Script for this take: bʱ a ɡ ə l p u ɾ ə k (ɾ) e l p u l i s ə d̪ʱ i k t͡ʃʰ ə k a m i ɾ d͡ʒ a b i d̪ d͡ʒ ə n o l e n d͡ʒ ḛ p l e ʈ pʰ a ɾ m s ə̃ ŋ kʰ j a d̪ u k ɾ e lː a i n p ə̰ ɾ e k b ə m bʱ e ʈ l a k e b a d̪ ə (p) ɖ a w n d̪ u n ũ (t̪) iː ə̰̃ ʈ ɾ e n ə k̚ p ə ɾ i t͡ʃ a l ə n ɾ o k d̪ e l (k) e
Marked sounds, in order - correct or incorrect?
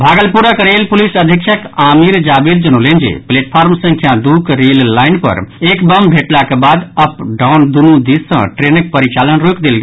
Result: correct, correct, incorrect, incorrect

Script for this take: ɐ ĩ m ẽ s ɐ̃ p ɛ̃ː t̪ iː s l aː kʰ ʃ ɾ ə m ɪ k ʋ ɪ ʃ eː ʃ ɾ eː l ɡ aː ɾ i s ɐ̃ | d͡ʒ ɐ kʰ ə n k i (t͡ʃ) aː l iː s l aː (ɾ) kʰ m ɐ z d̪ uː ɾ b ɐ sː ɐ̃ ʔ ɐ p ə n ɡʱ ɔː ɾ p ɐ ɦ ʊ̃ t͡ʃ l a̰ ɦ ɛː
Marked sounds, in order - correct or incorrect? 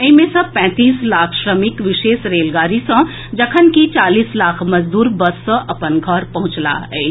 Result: correct, incorrect

